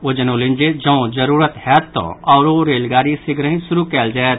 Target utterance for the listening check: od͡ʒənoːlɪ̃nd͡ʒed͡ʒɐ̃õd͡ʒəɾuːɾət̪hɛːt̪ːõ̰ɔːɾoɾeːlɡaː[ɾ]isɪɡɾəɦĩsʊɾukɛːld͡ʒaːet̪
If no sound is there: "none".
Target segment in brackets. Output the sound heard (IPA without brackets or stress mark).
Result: ɾ